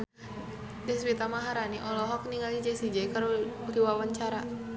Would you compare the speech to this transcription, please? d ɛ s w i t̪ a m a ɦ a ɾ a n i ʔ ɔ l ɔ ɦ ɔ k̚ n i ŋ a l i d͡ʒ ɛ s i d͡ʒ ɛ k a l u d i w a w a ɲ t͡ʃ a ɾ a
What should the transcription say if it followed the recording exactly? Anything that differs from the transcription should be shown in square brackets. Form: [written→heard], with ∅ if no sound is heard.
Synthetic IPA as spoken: d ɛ s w i t̪ a m a ɦ a ɾ a n i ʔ ɔ l ɔ ɦ ɔ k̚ n i ŋ a l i d͡ʒ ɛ s i d͡ʒ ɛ k a [l→ɾ] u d i w a w a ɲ t͡ʃ a ɾ a